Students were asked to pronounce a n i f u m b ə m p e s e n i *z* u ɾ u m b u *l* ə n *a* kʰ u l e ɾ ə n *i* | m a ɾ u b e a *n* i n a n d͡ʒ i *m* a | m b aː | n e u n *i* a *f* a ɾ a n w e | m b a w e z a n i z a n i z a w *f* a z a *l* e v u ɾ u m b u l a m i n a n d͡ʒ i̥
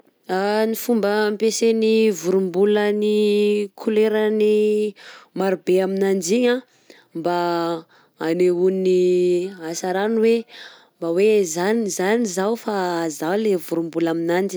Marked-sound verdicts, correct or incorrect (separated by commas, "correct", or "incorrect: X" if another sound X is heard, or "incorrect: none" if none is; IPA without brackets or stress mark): incorrect: v, correct, incorrect: i, correct, incorrect: m, incorrect: ɲ, correct, incorrect: s, correct, correct